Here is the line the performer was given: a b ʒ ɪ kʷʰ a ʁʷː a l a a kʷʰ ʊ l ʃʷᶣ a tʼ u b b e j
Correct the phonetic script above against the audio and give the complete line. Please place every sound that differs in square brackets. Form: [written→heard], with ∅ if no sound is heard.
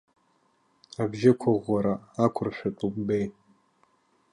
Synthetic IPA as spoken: a b ʒ ɪ kʷʰ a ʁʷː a [l→ɾ] a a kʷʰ ʊ [l→r] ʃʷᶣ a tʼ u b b e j